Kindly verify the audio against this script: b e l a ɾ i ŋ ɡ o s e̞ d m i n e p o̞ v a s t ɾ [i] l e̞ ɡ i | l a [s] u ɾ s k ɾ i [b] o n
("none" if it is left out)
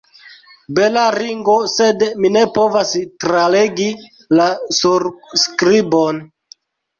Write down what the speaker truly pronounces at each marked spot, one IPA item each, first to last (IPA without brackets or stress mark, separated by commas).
a, s, b